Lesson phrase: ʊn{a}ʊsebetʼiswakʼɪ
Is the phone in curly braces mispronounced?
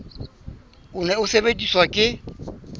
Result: yes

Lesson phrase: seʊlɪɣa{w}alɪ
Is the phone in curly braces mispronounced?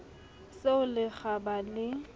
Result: yes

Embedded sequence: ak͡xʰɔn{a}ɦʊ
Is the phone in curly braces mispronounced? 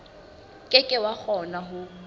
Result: no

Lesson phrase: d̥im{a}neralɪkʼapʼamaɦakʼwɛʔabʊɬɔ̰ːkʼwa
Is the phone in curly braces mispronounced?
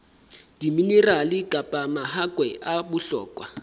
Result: yes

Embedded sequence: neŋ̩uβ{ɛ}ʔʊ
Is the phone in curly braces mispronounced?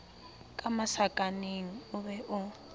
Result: no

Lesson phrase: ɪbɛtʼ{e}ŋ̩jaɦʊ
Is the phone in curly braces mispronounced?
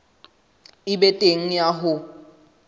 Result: no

